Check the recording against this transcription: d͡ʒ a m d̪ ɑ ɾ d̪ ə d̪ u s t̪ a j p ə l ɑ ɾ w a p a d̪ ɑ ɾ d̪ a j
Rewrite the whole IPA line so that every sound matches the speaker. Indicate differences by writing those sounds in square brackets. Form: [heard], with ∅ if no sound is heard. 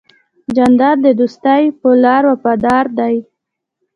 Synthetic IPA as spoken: d͡ʒ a [n] d̪ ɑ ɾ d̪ ə d̪ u s t̪ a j p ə l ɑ ɾ w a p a d̪ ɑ ɾ d̪ a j

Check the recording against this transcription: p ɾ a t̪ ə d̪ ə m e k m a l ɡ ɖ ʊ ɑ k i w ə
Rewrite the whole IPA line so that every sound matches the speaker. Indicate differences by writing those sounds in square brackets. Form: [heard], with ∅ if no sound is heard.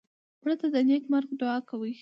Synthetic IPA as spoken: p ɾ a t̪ [a] d̪ ə [n] e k m a [ɾ] ɡ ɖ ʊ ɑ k [a] w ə

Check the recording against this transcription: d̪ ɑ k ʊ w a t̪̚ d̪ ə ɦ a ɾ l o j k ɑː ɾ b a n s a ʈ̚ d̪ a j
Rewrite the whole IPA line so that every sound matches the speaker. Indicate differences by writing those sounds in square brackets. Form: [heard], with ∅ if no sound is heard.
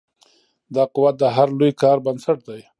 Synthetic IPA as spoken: d̪ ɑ [q] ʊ w a t̪̚ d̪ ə ɦ a ɾ l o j k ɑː ɾ b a n s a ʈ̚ d̪ a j

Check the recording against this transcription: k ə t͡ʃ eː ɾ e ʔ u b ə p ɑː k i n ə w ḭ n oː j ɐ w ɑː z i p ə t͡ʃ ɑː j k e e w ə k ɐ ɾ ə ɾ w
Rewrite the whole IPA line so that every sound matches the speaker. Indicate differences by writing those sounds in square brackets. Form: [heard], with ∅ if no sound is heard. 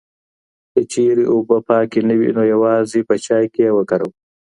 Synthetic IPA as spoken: k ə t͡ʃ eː ɾ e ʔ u b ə p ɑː k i n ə w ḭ n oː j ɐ w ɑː z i p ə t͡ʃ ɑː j k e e w ə k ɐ ɾ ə [∅] w

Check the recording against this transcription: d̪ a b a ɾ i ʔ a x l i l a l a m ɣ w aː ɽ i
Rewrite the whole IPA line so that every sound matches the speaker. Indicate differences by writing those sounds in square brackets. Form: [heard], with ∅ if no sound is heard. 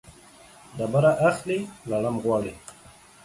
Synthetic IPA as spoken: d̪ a b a ɾ [a] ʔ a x l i l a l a m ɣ w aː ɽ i

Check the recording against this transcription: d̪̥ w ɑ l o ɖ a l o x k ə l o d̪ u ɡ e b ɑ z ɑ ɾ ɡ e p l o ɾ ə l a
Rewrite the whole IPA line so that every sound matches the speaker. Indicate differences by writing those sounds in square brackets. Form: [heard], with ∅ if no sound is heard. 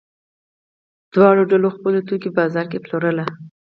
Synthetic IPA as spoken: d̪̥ w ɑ [ɽ] o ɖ a l o x [p] ə l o [t̪] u [k] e b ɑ z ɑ ɾ [k] e p l o ɾ ə l a

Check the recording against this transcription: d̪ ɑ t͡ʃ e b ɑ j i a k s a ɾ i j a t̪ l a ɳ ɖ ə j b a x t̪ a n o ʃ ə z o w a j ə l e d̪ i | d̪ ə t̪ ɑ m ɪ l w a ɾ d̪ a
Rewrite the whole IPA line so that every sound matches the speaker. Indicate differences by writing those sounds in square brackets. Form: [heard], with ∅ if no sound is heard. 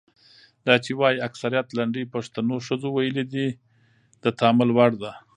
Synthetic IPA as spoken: d̪ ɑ t͡ʃ e [w] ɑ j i a k s a ɾ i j a t̪ l a ɳ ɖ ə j [p] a [ʂ] t̪ a n o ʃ ə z o w a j ə l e d̪ i | d̪ ə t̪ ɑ m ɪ l w a [ɽ] d̪ a

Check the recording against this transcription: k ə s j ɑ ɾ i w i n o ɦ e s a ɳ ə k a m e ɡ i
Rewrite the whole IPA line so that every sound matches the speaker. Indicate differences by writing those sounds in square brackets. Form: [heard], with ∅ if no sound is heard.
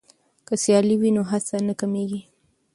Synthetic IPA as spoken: k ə s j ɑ [l] i w i n o ɦ [a] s a [n] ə k a m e ɡ i

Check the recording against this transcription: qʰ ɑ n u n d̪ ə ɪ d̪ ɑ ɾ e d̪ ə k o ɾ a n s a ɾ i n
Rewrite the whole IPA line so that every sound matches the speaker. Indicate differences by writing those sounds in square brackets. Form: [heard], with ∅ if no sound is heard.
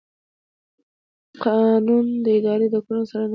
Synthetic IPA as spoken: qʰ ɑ n u n d̪ ə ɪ d̪ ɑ ɾ e d̪ ə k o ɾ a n s a ɾ [a] n

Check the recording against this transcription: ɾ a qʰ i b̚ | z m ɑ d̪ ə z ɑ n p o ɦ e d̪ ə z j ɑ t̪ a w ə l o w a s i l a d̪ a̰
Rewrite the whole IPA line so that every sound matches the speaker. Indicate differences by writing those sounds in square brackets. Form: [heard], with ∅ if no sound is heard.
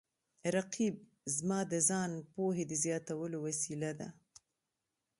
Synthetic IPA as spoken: ɾ a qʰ i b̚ | z m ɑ d̪ ə z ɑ n p o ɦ e d̪ ə z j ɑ t̪ a w ə l o w a s i l a d̪ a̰

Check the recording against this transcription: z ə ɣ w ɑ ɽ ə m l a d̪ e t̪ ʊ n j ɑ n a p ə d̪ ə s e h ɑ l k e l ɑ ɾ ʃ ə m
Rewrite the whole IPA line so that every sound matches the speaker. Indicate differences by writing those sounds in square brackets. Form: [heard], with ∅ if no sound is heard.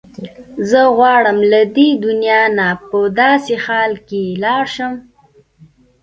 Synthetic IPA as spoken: z ə ɣ w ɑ ɽ ə m l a d̪ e [d̪] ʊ n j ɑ n a p ə d̪ [ɑ] s e [x] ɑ l k e l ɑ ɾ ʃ ə m

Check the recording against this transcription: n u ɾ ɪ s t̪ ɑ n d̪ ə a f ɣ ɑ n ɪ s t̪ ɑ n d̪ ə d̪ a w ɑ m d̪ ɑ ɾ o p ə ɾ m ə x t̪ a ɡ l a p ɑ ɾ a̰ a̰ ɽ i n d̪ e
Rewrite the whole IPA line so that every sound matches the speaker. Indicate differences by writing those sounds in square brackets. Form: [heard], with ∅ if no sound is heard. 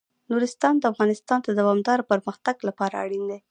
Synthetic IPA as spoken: n u ɾ ɪ s t̪ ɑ n d̪ ə a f ɣ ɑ n ɪ s t̪ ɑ n d̪ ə d̪ a w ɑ m d̪ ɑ ɾ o p ə ɾ m ə x t̪ a ɡ l a p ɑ ɾ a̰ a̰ ɽ i n d̪ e

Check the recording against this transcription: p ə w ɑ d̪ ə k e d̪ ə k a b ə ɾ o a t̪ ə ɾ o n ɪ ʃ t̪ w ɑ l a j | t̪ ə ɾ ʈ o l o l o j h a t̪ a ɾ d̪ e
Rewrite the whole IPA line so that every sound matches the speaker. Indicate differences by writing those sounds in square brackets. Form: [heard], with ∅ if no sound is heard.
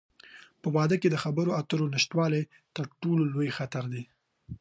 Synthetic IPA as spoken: p ə w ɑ d̪ ə k e d̪ ə [x] a b ə ɾ o a t̪ ə ɾ o n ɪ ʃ t̪ w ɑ l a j | t̪ ə ɾ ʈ o l o l o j [x] a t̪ a ɾ d̪ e

